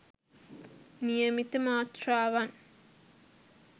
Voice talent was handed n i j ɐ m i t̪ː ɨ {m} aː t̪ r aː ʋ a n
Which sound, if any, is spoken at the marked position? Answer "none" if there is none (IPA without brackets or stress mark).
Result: m